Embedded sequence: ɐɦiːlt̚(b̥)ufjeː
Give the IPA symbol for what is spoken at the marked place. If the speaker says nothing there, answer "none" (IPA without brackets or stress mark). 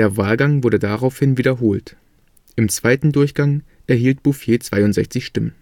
b̥